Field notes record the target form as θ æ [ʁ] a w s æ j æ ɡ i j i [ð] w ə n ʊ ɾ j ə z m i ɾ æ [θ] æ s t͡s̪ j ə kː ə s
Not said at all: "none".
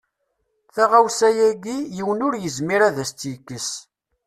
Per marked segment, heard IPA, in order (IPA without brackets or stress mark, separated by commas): ʁ, none, ð